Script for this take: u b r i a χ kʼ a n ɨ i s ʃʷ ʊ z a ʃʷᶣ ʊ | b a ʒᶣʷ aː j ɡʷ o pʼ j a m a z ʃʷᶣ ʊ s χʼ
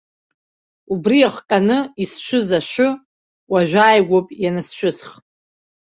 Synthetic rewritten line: u b r i a χ kʼ a n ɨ i s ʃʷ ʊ z a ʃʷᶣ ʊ | w a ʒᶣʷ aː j ɡʷ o pʼ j a n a s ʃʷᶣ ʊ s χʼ